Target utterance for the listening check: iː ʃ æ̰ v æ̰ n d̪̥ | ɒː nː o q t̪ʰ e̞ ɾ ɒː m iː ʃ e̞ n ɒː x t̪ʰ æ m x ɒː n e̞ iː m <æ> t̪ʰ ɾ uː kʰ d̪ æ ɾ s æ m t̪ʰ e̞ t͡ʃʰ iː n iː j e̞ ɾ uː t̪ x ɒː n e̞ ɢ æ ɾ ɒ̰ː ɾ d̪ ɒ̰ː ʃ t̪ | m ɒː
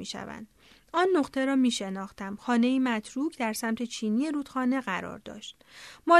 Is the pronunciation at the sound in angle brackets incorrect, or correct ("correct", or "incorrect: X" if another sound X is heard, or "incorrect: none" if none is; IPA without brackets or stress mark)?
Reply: correct